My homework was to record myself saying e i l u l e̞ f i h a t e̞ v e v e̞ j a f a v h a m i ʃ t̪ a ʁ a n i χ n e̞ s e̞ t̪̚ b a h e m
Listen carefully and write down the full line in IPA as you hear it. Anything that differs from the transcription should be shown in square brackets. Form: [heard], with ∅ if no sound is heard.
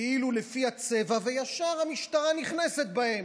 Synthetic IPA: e i l u l e̞ f i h a [t͡s] e̞ v [a] v e̞ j a [ʃ] a [ʁ] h a m i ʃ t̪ a ʁ a n i χ n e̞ s e̞ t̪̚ b a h e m